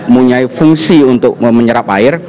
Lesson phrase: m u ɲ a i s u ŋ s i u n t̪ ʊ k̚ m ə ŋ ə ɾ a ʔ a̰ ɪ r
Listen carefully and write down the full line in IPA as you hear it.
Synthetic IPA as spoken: m u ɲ a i f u ŋ s i u n t̪ ʊ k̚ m ə ɲ ə ɾ a p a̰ ɪ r